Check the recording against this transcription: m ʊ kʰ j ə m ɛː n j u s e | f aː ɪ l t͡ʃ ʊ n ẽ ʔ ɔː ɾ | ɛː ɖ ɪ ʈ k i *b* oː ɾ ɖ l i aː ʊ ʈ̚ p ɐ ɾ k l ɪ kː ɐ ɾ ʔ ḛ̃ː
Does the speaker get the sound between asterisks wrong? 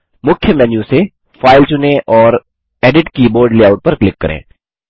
no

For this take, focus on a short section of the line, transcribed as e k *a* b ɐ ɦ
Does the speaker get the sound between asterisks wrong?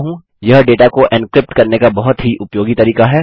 no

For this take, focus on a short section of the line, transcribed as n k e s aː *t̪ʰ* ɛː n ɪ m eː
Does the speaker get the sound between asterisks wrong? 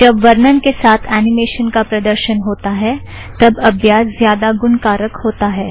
no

